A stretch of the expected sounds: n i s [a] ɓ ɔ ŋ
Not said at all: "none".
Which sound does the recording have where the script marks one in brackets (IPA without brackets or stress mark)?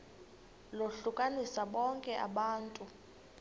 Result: a